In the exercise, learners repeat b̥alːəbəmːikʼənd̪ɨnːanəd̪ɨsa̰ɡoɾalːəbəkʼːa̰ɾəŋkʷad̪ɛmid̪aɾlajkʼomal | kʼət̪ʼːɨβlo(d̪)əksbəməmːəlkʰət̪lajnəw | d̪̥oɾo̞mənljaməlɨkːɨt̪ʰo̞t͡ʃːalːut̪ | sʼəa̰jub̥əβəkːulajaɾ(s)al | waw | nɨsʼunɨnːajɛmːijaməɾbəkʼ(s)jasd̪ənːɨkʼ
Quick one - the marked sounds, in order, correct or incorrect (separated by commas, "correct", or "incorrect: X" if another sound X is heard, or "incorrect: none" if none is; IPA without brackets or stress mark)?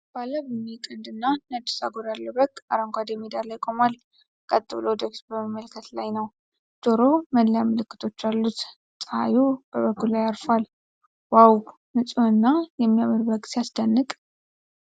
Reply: correct, incorrect: f, correct